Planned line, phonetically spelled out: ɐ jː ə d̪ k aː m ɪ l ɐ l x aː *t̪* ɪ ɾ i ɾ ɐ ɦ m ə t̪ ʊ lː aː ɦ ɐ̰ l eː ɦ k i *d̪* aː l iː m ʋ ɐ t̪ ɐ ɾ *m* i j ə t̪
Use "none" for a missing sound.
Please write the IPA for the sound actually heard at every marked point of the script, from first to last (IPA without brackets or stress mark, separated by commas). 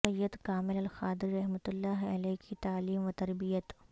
d̪, t̪, b